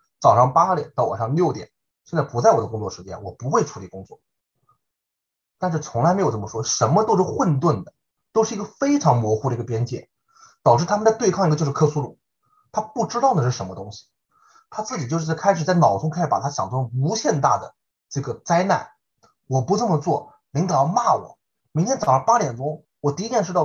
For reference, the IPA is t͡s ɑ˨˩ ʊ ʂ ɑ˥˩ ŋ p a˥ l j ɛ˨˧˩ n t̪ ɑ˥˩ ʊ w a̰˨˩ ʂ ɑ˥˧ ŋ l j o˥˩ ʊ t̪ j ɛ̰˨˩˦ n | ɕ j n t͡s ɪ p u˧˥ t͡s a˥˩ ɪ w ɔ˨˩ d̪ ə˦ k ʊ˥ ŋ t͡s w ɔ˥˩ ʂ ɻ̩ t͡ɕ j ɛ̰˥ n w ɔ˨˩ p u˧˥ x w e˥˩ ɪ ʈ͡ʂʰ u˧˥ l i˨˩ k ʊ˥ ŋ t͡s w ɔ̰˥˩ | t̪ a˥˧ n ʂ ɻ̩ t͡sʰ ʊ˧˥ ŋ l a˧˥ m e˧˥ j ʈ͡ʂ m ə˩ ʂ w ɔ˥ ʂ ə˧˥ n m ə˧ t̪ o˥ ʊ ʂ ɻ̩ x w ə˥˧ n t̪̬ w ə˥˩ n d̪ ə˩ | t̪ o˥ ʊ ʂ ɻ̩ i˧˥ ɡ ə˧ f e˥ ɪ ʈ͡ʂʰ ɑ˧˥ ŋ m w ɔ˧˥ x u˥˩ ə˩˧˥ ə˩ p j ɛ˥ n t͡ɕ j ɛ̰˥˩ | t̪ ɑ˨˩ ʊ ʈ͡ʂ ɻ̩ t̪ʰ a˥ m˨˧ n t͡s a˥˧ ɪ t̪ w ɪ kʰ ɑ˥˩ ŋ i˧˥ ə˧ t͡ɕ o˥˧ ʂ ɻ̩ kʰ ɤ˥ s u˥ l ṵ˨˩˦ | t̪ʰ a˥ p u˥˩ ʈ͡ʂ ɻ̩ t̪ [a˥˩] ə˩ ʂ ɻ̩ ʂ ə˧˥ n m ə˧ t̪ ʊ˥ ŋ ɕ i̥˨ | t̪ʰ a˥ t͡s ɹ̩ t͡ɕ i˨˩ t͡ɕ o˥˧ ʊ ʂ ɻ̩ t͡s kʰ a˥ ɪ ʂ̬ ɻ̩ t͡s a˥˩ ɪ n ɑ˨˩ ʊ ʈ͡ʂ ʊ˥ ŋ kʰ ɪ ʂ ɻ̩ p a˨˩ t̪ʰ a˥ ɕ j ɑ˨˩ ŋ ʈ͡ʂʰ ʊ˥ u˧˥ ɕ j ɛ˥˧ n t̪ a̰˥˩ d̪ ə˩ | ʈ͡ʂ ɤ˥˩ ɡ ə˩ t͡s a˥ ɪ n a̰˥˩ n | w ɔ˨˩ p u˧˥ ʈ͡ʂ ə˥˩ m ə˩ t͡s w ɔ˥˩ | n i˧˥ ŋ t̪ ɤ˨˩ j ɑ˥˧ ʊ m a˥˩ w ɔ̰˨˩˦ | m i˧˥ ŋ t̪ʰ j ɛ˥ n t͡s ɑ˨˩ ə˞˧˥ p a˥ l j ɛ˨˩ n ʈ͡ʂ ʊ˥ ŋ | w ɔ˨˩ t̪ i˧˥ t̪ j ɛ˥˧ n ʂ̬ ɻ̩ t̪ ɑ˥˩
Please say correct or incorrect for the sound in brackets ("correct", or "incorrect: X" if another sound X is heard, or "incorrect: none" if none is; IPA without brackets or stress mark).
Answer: incorrect: ɑ˥˩